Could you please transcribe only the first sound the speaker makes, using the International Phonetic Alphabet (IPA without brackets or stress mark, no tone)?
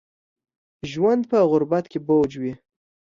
ʒ